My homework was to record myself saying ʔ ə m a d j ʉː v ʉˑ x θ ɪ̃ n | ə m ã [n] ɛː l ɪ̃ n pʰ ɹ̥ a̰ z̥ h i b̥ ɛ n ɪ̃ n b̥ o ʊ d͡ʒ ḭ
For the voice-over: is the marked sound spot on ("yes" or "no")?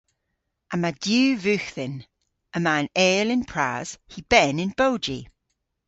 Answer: yes